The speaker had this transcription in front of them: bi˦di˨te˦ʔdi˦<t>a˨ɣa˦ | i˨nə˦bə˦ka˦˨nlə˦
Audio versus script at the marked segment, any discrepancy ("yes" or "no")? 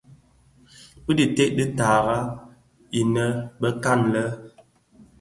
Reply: no